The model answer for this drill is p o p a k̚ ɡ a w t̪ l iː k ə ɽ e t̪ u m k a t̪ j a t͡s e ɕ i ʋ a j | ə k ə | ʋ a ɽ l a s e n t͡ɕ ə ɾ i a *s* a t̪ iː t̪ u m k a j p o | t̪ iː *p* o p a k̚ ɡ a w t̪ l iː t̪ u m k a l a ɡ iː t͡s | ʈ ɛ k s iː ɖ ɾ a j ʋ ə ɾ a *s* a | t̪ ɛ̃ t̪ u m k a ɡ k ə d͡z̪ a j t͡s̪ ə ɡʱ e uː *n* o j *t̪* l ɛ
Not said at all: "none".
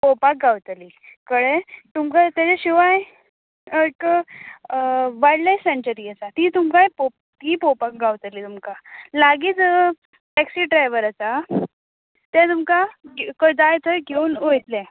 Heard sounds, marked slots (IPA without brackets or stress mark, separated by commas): t͡s, p, t͡s, n, t̪